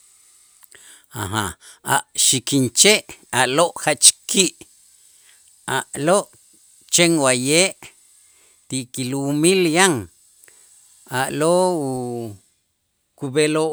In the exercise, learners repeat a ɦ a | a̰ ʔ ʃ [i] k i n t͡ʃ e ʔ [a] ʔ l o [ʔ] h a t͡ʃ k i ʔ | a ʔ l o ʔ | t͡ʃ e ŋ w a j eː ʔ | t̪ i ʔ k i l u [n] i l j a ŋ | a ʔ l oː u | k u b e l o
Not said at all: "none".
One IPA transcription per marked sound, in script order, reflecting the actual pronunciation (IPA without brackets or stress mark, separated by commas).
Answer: i, a, ʔ, m